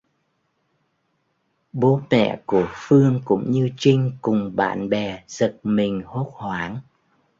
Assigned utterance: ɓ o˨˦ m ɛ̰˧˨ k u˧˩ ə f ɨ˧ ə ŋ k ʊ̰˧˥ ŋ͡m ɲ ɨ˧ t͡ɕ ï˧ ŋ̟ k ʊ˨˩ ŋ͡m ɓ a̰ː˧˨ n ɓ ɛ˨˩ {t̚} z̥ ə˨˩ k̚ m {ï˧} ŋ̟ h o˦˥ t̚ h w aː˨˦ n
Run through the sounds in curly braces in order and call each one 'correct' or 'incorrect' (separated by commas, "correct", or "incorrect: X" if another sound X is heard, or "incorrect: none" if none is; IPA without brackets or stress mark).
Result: incorrect: none, incorrect: ï˨˩